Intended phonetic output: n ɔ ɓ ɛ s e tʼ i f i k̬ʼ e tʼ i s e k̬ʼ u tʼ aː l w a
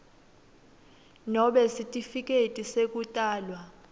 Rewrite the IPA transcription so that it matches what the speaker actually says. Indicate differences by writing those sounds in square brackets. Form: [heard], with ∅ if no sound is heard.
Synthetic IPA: n ɔ ɓ ɛ s [i] tʼ i f i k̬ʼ e tʼ i s e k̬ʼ u tʼ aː l w a